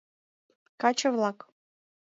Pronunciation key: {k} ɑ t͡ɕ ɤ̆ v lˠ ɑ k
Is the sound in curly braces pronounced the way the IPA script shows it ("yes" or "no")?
yes